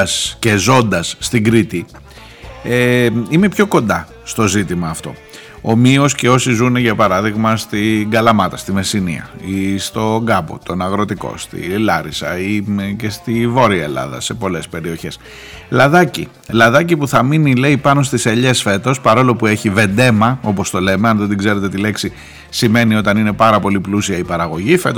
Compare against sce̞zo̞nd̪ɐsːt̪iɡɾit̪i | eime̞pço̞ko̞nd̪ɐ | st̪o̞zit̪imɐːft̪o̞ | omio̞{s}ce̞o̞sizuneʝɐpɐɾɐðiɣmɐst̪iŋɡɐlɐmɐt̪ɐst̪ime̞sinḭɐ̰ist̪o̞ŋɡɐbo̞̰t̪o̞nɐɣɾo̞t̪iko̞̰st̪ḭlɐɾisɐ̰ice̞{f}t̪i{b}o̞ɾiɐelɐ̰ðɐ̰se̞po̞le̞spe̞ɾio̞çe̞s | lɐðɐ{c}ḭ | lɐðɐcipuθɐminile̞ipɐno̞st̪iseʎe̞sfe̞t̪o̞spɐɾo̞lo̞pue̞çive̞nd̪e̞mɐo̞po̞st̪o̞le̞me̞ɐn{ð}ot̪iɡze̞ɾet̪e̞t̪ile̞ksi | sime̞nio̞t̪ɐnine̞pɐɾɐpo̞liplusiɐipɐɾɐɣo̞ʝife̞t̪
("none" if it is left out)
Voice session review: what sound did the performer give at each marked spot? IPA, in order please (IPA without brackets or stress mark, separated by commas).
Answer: s, s, v, c, ð